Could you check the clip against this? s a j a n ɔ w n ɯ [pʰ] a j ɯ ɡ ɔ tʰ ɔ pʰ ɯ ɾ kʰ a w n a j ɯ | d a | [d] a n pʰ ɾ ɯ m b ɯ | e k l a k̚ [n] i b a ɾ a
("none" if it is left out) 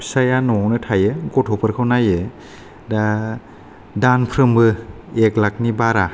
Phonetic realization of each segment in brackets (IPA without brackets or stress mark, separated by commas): tʰ, d, n